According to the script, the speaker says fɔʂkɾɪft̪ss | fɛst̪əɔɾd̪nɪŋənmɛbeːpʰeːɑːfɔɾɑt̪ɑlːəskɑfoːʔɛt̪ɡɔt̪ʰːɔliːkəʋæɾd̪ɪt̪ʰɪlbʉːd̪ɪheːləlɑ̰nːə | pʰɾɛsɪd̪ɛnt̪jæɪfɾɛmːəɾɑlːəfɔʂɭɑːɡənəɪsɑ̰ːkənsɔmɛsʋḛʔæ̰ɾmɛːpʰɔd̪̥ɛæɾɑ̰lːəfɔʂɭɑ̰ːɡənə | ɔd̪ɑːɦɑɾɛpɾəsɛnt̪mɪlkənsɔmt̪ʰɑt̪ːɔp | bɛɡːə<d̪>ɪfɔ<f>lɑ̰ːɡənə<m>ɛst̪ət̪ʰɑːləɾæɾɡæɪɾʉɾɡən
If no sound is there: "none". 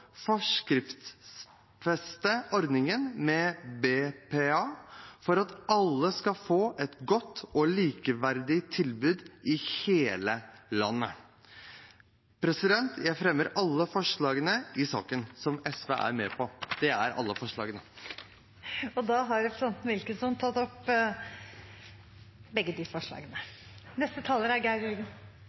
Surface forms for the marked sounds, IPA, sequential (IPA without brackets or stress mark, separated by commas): d̪, ʂ, n